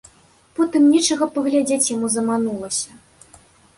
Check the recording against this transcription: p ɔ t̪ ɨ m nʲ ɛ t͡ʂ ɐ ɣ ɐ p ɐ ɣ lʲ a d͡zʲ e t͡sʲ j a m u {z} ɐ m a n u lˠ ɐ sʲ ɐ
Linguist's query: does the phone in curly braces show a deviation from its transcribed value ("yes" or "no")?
no